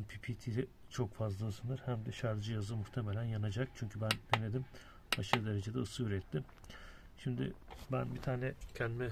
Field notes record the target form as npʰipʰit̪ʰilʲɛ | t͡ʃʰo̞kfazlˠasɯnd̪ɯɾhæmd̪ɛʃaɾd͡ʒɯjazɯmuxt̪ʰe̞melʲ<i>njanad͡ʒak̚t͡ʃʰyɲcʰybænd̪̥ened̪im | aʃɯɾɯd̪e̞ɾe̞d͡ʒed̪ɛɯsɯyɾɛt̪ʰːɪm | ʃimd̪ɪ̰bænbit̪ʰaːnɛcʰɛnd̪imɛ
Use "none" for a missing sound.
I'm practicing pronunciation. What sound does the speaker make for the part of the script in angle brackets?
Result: æ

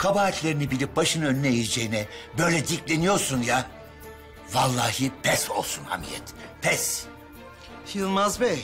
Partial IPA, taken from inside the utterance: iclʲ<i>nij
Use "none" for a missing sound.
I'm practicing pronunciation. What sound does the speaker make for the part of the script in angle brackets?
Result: e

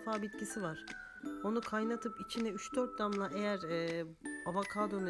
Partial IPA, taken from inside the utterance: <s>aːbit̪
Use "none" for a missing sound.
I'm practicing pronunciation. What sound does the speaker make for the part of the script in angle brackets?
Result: f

